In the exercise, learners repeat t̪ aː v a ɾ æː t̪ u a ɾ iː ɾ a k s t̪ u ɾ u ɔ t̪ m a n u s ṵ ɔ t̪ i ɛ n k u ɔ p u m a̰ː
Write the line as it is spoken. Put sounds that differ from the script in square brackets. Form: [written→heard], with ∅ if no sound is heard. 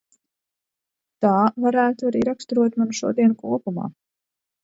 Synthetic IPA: t̪ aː v a ɾ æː t̪ u a ɾ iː ɾ a k s t̪ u ɾ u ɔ t̪ m a n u [s→ʃ] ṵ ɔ [t̪→d̪] i ɛ n k u ɔ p u m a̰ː